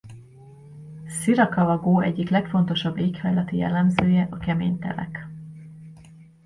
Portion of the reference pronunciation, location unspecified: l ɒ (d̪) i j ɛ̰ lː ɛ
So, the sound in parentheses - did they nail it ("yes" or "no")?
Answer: no